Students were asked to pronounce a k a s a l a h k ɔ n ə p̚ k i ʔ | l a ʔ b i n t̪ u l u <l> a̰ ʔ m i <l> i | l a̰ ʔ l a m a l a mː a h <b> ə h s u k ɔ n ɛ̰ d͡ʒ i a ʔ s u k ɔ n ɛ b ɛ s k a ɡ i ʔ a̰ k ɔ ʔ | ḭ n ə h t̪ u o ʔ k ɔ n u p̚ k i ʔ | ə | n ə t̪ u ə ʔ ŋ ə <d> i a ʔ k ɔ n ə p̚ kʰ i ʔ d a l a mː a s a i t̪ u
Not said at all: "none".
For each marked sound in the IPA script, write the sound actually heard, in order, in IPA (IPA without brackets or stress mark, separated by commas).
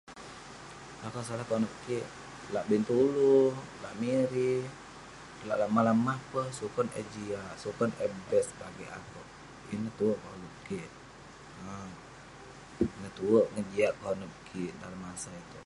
l, ɾ, p, d͡ʒ